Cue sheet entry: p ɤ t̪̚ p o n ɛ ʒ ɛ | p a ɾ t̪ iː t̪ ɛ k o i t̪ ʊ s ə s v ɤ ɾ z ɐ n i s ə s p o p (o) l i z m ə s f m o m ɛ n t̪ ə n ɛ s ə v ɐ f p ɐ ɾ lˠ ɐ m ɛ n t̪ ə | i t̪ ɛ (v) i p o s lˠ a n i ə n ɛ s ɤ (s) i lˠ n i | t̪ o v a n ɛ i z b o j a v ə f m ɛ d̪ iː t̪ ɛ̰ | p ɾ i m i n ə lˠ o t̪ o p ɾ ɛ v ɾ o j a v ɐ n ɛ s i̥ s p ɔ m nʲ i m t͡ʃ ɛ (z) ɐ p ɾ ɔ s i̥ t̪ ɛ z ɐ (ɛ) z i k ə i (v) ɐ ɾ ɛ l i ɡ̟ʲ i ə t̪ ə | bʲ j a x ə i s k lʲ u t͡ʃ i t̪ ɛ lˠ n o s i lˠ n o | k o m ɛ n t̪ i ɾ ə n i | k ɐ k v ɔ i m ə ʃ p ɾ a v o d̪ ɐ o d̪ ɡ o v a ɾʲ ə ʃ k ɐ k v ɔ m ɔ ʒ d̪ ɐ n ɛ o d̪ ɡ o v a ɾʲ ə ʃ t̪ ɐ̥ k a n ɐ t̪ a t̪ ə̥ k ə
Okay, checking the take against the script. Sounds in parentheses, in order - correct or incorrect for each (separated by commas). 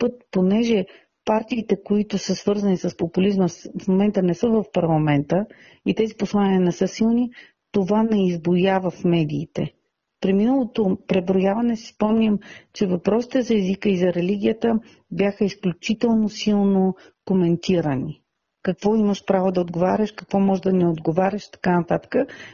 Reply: incorrect, incorrect, correct, incorrect, correct, incorrect